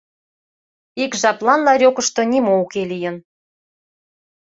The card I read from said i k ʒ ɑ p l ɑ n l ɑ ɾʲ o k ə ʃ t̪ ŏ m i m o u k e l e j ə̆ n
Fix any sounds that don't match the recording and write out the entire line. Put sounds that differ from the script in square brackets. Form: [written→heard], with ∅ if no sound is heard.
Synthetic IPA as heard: i k ʒ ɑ p l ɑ n l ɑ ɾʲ o k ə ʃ t̪ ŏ [m→n] i m o u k e l [e→i] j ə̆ n